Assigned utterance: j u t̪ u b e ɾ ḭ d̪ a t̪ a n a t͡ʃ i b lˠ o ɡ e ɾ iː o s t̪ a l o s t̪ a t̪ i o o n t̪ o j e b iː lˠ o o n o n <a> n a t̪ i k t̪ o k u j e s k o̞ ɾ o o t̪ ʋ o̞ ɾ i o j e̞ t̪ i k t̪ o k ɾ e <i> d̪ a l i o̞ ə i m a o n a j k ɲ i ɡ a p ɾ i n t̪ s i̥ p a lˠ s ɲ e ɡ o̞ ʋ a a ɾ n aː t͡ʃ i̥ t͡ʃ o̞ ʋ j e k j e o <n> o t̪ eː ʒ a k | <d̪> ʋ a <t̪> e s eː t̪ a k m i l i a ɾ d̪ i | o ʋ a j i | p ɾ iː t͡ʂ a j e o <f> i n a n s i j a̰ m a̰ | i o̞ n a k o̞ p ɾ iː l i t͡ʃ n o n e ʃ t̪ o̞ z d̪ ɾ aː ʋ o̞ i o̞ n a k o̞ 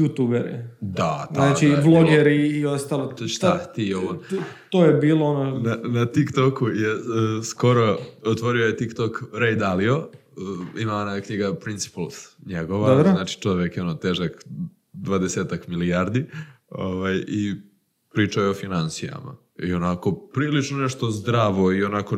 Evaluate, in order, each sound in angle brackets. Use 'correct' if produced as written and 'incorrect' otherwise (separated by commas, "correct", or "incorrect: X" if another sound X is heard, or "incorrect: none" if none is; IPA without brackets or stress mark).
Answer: correct, incorrect: j, correct, correct, incorrect: d̪, correct